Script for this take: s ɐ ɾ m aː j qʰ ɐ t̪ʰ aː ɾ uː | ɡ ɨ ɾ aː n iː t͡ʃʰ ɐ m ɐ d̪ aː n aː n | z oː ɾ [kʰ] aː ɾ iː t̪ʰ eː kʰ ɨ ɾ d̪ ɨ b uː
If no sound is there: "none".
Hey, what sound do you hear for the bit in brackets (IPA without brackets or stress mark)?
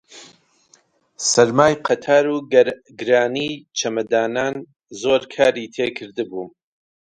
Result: kʰ